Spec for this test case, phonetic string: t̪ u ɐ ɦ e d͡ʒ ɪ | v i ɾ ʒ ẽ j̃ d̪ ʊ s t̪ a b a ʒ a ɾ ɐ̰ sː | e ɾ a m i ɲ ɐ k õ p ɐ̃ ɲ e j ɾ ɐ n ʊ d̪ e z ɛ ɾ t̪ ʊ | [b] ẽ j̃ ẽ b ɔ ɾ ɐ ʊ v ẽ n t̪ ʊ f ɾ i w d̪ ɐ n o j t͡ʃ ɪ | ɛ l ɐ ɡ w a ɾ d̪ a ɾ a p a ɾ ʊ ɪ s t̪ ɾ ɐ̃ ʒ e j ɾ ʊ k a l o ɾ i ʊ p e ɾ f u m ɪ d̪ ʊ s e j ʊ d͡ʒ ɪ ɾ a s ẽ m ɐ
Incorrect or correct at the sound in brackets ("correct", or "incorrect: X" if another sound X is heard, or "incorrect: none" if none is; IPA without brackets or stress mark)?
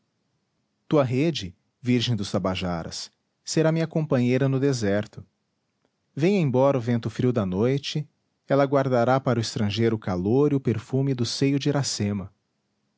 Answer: incorrect: v